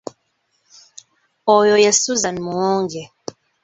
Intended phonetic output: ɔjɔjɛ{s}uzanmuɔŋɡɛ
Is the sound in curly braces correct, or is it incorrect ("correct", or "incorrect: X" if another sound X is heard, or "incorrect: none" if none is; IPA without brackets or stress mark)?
correct